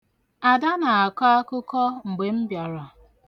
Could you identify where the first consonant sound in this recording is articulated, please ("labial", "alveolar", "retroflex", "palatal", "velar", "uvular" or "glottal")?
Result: alveolar